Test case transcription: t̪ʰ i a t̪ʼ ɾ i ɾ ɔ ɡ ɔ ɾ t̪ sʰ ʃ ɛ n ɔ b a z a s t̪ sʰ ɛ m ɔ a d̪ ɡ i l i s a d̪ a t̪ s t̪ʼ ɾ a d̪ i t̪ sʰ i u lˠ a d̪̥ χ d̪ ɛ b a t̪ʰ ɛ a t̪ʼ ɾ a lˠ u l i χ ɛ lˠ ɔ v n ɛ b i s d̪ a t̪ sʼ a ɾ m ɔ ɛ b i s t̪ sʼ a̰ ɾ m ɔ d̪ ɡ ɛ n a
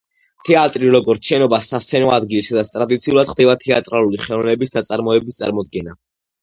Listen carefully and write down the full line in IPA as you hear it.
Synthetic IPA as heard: t̪ʰ ɛ a t̪ʼ ɾ i ɾ ɔ ɡ ɔ ɾ t̪ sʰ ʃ ɛ n ɔ b a s a s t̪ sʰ ɛ n ɔ a d̪ ɡ i l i s a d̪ a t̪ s t̪ʼ ɾ a d̪ i t̪ sʰ i u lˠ a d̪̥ χ d̪ ɛ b a t̪ʰ ɛ a t̪ʼ ɾ a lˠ u l i χ ɛ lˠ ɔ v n ɛ b i s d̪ a t̪ sʼ a ɾ m ɔ ɛ b i s t̪ sʼ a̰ ɾ m ɔ d̪ ɡ ɛ n a